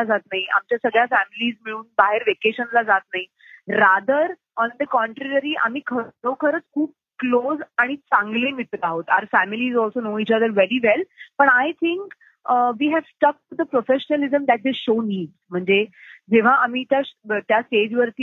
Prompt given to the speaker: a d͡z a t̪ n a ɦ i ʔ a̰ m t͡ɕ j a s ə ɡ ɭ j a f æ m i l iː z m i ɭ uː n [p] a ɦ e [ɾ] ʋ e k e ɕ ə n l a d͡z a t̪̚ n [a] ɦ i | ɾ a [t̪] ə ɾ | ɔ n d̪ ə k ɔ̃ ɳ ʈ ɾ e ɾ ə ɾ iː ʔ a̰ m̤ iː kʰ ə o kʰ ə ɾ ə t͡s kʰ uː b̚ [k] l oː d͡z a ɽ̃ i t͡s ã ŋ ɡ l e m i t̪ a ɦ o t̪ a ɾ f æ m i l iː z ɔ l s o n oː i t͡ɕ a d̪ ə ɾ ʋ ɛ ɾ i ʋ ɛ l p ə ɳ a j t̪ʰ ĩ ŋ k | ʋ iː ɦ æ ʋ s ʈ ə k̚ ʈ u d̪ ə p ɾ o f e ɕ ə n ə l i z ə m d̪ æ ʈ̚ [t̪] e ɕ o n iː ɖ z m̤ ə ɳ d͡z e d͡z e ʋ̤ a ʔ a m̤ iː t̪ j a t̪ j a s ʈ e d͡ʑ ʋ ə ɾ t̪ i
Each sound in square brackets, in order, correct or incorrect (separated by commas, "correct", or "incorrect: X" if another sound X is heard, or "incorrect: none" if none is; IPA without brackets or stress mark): incorrect: b, correct, correct, incorrect: d̪, correct, incorrect: d̪